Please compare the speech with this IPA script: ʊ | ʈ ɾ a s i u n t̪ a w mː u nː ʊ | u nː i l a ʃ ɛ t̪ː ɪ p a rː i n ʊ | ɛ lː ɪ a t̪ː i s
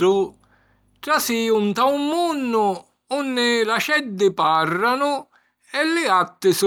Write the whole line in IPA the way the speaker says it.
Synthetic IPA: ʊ | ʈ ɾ a s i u n t̪ a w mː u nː ʊ | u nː ɪ l a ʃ ɛ d̪ː ɪ p a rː a n ʊ | ɛ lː ɪ a t̪ː ɪ s